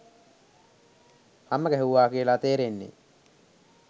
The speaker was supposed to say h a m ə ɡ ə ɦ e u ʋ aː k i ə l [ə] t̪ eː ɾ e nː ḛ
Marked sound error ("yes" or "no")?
yes